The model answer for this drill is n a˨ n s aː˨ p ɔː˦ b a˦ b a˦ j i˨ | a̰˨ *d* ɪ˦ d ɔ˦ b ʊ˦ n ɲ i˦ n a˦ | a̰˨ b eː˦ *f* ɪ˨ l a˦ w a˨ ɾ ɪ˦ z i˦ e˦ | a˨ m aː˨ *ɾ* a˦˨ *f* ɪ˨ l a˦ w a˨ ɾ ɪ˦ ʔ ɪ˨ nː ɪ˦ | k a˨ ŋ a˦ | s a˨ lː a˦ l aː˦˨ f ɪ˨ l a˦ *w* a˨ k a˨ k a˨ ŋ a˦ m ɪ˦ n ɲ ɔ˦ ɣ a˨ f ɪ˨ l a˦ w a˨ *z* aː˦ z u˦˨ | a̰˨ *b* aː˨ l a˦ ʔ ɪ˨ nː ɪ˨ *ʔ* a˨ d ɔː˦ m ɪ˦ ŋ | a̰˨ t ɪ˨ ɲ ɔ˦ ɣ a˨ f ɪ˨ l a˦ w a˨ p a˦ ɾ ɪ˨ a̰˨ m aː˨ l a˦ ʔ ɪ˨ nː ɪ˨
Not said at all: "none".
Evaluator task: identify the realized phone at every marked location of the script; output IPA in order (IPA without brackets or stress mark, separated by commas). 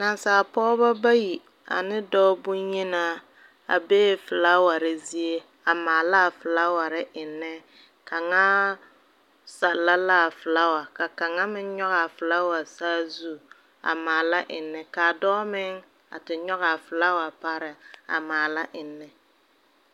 n, f, l, f, w, s, m, k